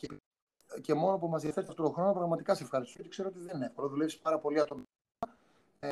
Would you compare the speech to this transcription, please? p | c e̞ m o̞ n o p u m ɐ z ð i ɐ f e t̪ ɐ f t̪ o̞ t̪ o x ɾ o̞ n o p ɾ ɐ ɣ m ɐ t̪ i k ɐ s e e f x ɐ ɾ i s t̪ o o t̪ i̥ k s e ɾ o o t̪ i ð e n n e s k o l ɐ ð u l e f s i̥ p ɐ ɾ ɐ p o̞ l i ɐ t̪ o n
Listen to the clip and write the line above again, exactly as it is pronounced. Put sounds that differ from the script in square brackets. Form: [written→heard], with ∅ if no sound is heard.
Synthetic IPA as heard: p | c e̞ m o̞ n o p u m ɐ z ð i ɐ f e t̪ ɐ f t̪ o̞ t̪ o x ɾ o̞ n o p ɾ ɐ ɣ m ɐ t̪ i k ɐ s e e f x ɐ ɾ i s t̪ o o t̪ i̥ k s e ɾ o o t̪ i ð e n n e [s→f] k o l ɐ ð u l e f s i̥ p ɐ ɾ ɐ p o̞ l i ɐ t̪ o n